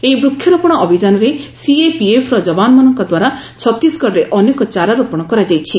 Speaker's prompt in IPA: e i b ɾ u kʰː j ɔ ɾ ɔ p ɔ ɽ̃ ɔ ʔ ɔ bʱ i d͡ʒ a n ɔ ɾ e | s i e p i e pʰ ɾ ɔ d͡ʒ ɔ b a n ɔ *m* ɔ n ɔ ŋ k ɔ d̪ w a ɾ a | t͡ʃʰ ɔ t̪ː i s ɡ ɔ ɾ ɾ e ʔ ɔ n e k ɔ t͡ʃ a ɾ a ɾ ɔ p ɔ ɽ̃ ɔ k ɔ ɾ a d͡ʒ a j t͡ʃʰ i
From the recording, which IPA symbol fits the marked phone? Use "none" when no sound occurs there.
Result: m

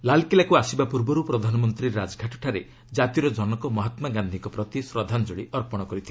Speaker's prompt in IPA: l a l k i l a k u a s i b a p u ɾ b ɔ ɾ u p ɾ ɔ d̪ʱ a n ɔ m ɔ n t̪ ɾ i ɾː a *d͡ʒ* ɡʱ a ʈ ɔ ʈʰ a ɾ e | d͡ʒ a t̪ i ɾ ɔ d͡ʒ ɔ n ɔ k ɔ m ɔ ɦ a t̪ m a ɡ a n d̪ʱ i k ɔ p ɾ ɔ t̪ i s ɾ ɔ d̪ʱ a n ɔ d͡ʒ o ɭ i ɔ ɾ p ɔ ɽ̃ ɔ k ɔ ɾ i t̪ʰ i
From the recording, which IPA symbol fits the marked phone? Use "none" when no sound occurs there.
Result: d͡ʒ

